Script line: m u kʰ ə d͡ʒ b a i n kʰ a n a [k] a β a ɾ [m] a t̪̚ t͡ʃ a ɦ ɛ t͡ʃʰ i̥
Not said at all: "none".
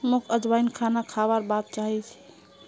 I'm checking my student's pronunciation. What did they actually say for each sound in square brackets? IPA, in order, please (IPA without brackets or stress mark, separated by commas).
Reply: kʰ, b